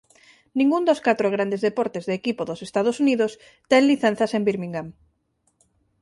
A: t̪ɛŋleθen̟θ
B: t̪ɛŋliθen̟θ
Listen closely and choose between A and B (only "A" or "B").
B